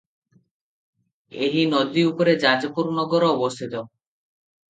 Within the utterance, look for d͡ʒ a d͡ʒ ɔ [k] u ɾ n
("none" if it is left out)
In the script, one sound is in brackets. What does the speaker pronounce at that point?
p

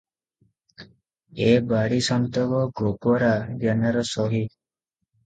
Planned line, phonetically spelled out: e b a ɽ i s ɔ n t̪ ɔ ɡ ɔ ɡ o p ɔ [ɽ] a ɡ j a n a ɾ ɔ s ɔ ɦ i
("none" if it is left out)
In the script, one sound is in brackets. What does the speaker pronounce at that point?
ɾ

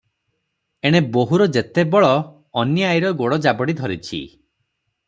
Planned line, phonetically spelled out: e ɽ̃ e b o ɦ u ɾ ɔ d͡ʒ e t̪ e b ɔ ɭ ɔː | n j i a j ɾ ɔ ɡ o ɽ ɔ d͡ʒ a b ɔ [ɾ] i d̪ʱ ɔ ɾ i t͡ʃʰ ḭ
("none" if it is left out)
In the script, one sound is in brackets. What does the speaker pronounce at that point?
ɽ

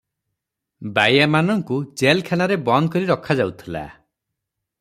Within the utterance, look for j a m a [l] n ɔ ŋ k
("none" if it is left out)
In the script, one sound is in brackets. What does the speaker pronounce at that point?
none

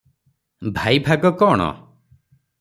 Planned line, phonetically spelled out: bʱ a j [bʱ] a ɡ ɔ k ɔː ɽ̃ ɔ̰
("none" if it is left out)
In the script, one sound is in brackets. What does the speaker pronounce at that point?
bʱ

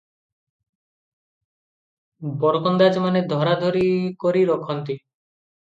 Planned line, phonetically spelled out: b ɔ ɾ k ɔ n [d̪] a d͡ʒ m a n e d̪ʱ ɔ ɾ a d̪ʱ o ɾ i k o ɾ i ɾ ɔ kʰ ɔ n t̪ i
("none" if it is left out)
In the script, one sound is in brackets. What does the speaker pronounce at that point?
d̪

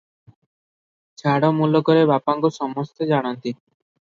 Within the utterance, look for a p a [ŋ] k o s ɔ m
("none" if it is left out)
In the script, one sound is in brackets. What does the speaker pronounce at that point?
ŋ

